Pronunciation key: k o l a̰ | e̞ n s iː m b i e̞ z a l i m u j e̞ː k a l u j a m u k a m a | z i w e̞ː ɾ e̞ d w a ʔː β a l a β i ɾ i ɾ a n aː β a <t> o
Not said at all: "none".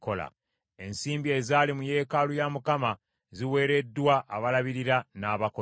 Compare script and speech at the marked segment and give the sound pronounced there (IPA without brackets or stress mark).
k